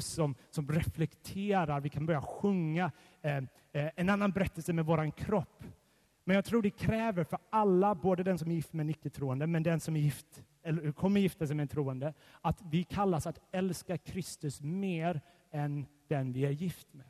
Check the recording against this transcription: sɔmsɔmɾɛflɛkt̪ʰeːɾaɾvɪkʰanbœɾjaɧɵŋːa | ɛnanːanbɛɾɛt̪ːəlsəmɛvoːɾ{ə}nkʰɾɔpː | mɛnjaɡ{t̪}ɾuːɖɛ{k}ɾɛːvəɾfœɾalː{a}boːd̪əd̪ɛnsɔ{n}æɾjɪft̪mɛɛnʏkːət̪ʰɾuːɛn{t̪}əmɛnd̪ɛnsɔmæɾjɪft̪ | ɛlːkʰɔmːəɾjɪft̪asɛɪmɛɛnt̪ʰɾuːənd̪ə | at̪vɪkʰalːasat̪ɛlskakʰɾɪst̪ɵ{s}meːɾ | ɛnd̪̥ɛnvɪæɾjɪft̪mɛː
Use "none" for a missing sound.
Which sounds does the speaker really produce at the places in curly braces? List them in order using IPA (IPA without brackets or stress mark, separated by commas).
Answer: a, t̪ʰ, kʰ, a, m, d̪, s